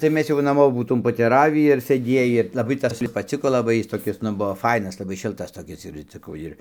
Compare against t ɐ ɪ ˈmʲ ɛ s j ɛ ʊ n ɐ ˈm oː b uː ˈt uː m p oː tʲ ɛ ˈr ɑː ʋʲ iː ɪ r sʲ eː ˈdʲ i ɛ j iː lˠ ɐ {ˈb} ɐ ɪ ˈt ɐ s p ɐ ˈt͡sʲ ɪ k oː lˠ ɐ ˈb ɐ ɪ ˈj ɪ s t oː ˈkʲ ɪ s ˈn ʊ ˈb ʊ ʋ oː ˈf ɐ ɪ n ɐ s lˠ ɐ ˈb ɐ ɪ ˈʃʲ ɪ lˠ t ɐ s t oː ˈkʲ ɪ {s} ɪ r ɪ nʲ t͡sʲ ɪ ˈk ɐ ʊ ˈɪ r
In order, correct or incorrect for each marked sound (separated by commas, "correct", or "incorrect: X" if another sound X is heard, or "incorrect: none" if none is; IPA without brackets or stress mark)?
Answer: correct, correct